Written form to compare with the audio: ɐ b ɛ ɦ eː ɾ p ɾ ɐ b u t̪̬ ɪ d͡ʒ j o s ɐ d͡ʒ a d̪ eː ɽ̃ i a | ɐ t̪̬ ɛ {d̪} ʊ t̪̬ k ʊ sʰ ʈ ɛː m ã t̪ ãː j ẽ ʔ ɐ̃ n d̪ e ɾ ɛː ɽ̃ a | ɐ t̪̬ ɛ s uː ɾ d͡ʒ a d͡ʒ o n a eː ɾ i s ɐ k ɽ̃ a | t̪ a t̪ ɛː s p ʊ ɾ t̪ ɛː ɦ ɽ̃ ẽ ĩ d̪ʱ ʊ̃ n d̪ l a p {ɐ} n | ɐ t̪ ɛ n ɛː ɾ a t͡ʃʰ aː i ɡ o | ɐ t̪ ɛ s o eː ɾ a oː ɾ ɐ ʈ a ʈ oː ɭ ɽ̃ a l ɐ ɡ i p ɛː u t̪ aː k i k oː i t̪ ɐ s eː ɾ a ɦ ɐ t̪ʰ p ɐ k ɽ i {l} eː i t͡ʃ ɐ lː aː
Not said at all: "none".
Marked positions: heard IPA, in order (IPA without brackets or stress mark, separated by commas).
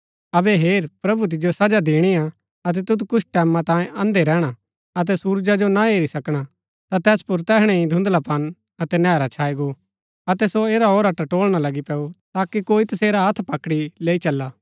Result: t̪, ɐ, l